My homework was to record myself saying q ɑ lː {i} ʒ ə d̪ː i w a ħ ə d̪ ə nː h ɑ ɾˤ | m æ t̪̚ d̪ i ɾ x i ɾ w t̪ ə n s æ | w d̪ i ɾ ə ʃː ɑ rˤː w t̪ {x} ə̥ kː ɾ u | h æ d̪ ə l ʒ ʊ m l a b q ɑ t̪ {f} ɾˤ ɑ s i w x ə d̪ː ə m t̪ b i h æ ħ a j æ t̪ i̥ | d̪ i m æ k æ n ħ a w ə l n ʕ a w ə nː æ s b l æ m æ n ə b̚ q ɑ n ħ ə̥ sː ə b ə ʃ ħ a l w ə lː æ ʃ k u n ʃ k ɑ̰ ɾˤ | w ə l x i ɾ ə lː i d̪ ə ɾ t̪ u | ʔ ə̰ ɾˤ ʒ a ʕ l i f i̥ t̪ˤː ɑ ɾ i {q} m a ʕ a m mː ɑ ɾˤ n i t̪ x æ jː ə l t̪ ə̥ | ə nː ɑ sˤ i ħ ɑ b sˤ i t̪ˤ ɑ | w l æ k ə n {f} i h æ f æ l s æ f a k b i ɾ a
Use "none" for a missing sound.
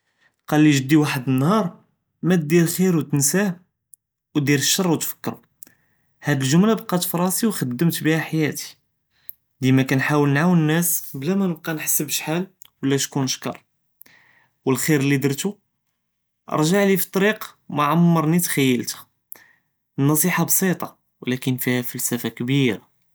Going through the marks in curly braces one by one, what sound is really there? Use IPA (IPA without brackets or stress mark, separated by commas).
i, f, f, q, f